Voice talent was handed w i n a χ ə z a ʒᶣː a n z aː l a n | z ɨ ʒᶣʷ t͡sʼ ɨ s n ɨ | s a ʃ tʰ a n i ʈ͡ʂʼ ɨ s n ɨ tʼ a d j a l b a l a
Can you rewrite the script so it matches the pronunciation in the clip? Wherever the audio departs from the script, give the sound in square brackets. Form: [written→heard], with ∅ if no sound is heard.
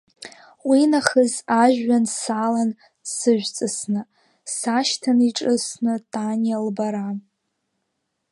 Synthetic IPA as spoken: w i n a χ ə z a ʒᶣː a n [z→s] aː l a n | [z→s] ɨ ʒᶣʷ t͡sʼ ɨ s n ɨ | s a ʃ tʰ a n i ʈ͡ʂʼ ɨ s n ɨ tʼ a [d→n] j a l b a [l→ɾ] a

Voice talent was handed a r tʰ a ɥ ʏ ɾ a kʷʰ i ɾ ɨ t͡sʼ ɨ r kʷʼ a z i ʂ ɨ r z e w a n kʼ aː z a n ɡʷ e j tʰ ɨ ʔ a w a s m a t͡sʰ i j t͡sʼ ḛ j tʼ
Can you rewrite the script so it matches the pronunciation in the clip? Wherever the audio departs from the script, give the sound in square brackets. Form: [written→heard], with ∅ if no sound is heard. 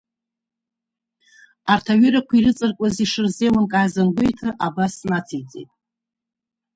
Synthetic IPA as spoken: a r tʰ a ɥ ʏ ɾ a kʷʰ i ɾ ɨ t͡sʼ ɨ r kʷʼ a z i ʂ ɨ r z e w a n kʼ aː z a n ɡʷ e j tʰ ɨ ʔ a [w→b] a s [m→n] a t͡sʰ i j t͡sʼ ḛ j tʼ

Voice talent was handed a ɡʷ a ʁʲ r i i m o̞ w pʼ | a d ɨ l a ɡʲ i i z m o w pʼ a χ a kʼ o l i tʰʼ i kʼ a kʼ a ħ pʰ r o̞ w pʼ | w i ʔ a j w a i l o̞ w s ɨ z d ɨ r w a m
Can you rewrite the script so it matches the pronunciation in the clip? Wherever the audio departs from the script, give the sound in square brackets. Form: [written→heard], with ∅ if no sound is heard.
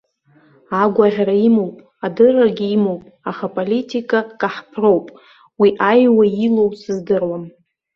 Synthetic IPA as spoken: a ɡʷ a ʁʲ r [i→a] i m o̞ w pʼ | a d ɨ [l→r] a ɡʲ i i [z→∅] m o w pʼ a χ a [kʼ→pʼ] o l i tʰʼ i kʼ a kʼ a ħ pʰ r o̞ w pʼ | w i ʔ a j w a i l o̞ w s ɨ z d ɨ r w a m

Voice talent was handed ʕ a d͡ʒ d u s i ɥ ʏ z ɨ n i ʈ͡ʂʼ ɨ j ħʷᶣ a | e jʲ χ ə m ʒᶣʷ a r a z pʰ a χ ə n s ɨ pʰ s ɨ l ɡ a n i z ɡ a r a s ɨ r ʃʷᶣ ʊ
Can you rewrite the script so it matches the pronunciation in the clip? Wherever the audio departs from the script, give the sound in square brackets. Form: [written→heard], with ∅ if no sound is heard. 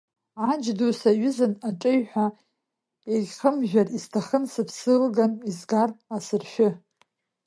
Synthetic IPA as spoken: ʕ a d͡ʒ d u s [i→a] ɥ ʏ z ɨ n [i→a] ʈ͡ʂʼ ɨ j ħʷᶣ a | e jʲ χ ə m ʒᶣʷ a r [a→i] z [pʰ→tʰ] a χ ə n s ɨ pʰ s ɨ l ɡ a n i z ɡ a r a s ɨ r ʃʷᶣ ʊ

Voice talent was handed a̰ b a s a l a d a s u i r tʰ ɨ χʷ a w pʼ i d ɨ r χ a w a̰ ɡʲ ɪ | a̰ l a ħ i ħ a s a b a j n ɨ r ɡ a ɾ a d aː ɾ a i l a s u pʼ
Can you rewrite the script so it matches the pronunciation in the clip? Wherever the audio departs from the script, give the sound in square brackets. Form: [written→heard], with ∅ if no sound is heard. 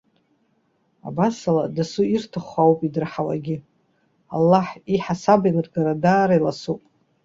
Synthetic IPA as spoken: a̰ b a s a l a d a s u i r tʰ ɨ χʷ a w pʼ i d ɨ r [χ→ħ] a w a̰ ɡʲ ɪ | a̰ [l→lː] a ħ i ħ a s a b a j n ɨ r ɡ a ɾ a d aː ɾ a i l a s u pʼ

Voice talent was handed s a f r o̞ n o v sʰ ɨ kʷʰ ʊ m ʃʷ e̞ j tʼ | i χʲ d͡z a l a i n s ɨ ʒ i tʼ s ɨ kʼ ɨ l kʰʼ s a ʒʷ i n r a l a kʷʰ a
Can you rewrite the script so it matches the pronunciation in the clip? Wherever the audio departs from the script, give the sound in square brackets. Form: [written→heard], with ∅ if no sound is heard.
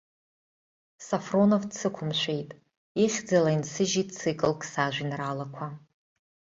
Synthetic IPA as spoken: s a f r o̞ n o v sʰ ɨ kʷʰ ʊ m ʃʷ e̞ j tʼ | i χʲ d͡z a l a i n s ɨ ʒ i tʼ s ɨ kʼ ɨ l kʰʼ s a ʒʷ i n r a l a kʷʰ a

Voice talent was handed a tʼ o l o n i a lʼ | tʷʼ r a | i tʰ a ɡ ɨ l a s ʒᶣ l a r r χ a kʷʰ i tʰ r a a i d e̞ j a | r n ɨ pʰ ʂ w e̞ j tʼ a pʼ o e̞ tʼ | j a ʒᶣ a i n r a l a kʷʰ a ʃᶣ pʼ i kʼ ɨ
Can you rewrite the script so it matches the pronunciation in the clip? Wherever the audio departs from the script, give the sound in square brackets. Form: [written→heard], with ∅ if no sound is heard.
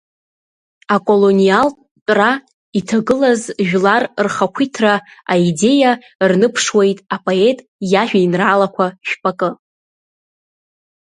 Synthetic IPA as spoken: a [tʼ→kʼ] o l o n i a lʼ | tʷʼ r a | i tʰ a ɡ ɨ l a [s→z] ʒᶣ l a r r χ a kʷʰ i tʰ r a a i d e̞ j a | r n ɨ pʰ ʂ w e̞ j tʼ a pʼ o e̞ tʼ | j a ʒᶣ a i n r a l a kʷʰ a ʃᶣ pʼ [i→a] kʼ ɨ

